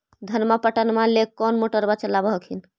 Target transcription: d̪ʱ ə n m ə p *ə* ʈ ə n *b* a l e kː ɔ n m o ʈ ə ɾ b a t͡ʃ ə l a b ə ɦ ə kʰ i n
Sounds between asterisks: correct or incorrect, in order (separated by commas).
correct, incorrect